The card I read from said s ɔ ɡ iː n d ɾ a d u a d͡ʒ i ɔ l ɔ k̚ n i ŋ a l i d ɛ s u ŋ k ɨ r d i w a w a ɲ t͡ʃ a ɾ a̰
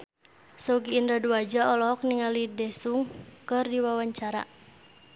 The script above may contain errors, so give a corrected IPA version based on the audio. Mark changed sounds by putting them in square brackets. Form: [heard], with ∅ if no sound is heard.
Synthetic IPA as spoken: s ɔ ɡ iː n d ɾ a d u a d͡ʒ [a] ɔ l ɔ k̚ n i ŋ a l i d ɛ s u ŋ k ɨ r d i w a w a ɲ t͡ʃ a ɾ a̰